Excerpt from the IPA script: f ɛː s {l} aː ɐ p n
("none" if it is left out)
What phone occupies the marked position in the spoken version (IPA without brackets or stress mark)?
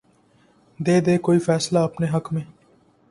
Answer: l